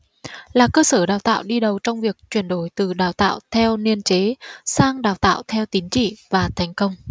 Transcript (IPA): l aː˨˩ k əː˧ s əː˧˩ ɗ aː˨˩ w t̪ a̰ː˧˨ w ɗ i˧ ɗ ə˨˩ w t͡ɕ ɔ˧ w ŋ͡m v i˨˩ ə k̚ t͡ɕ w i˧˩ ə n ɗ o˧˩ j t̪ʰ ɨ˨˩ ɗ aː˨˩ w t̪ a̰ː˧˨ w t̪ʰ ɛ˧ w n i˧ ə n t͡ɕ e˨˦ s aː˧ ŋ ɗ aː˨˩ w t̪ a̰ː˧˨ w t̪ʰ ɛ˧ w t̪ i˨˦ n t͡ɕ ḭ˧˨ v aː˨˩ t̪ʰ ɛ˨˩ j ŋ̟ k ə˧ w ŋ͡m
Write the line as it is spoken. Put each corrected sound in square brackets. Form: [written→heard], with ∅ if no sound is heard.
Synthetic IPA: l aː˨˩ k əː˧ s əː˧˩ ɗ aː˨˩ w t̪ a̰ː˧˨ w ɗ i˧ ɗ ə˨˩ w t͡ɕ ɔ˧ w ŋ͡m v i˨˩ ə k̚ t͡ɕ w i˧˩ ə n ɗ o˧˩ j [t̪ʰ→t̪] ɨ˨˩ ɗ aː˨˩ w t̪ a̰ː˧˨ w t̪ʰ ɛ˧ w n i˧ ə n t͡ɕ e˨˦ s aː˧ ŋ ɗ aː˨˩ w t̪ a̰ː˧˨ w t̪ʰ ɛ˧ w t̪ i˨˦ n t͡ɕ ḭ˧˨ v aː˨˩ t̪ʰ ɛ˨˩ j ŋ̟ k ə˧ w ŋ͡m